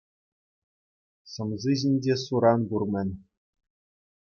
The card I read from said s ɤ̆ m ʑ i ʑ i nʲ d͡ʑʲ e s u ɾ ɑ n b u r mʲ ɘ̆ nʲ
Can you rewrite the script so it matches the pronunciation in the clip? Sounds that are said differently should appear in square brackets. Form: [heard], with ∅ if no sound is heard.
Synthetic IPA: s ɤ̆ m [z] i ʑ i nʲ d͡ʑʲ e s u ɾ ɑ n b u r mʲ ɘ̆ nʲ